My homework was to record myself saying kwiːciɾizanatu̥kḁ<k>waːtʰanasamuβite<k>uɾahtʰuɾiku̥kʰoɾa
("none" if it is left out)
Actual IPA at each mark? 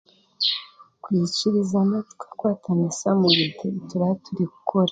k, t

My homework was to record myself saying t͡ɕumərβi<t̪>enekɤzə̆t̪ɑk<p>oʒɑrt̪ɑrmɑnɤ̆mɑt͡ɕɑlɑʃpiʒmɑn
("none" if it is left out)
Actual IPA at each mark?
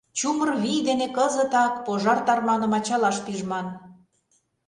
d̪, p

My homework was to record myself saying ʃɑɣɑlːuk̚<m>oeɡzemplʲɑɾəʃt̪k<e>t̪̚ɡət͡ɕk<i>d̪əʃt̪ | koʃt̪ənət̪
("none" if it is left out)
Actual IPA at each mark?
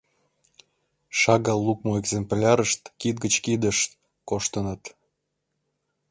m, i, i

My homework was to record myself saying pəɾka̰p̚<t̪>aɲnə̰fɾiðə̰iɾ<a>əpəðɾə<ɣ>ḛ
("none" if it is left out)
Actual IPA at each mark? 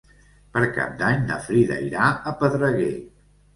d̪, a, ɣ

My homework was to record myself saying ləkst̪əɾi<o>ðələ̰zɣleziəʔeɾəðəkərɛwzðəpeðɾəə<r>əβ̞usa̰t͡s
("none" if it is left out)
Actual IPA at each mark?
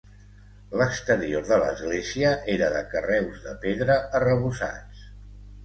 o, r

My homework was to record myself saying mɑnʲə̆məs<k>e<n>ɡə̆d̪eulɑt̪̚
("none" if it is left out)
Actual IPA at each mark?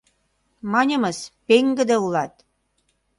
p, ŋ

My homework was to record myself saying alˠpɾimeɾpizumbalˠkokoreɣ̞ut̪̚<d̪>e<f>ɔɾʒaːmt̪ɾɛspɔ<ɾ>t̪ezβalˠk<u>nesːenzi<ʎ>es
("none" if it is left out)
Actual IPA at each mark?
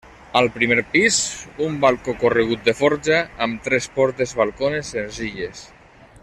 d̪, f, ɾ, o, ʎ

